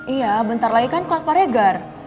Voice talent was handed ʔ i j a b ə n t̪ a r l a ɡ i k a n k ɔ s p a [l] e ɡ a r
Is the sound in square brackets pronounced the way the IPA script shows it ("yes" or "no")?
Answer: no